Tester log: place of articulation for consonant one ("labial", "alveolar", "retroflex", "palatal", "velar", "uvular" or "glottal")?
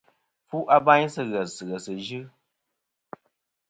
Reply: labial